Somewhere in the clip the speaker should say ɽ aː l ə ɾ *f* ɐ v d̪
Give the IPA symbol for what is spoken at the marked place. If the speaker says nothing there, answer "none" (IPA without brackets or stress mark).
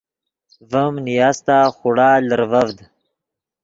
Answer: v